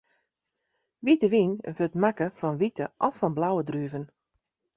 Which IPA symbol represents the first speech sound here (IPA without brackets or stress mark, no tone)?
ʋ